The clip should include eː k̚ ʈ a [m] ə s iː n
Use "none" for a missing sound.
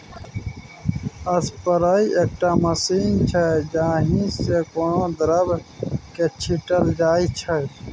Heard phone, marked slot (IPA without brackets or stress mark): m